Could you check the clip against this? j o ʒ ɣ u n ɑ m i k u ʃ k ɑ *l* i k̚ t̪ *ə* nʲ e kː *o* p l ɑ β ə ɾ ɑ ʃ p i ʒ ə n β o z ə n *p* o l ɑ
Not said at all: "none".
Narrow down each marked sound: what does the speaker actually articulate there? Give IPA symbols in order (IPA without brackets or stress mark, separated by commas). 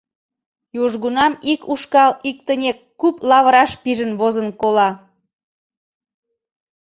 l, ə, u, k